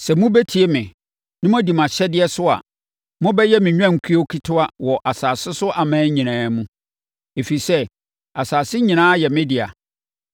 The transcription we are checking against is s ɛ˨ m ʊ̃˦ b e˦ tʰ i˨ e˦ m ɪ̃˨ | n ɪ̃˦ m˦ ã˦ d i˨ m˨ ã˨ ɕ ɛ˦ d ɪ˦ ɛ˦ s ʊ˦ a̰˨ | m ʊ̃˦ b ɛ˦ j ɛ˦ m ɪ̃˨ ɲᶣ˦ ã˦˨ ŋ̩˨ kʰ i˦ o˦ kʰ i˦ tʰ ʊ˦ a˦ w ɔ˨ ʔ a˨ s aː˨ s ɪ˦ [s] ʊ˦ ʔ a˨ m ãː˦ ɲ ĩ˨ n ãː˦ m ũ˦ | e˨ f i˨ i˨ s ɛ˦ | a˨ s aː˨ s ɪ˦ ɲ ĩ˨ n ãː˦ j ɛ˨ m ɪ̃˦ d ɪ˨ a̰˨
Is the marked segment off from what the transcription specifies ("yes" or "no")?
no